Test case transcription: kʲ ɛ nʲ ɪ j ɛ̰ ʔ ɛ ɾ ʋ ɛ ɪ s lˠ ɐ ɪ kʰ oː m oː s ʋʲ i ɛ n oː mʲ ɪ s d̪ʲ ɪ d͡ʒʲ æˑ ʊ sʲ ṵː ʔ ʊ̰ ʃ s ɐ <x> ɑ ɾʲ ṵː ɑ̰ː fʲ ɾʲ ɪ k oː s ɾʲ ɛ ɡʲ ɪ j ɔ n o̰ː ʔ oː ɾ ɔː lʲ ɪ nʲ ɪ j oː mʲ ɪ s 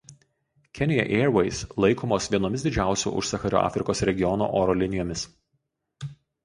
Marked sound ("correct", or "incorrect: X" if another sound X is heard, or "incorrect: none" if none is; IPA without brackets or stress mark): correct